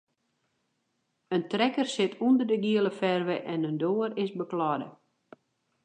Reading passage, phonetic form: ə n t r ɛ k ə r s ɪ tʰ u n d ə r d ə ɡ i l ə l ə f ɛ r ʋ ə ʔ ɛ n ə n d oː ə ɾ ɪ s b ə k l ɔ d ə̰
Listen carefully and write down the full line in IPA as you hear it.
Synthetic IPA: ə n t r ɛ k ə r s ɪ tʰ u n d ə r d ə ɡ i ə l ə f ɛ r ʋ ə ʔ ɛ n ə n d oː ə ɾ ɪ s b ə k l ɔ d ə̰